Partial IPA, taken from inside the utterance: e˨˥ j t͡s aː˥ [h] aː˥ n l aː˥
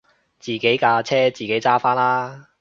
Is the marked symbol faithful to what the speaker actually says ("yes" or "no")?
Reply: no